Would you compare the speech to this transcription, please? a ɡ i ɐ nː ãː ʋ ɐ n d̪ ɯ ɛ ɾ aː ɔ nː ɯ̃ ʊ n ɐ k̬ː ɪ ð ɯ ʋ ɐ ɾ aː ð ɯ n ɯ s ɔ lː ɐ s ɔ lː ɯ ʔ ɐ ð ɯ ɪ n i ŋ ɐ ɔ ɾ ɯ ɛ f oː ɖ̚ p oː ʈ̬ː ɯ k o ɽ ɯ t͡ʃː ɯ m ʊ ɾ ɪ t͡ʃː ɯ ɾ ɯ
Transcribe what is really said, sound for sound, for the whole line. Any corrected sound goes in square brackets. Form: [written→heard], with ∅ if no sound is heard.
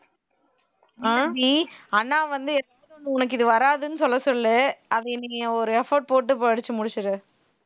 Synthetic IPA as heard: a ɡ i ɐ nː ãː ʋ ɐ n d̪ ɯ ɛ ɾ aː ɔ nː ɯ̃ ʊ n ɐ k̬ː ɪ ð ɯ ʋ ɐ ɾ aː ð ɯ n ɯ s ɔ lː ɐ s ɔ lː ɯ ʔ ɐ ð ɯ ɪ n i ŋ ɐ ɔ ɾ ɯ ɛ f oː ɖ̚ p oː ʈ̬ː ɯ [k→p] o ɽ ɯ t͡ʃː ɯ m ʊ [ɾ→ɽ] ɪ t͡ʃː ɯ ɾ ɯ